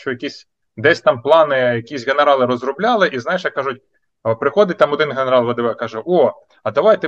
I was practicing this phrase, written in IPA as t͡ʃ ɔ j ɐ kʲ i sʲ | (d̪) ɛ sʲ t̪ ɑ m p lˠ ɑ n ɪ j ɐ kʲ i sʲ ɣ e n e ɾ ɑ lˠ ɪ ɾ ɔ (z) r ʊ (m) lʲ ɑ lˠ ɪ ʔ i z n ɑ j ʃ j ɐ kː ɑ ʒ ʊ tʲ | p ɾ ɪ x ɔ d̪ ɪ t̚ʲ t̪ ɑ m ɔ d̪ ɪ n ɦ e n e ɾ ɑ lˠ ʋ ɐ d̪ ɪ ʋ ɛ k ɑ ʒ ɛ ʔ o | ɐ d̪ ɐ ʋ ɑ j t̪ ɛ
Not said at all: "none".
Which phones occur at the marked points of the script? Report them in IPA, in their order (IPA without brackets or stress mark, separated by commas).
d̪, z, b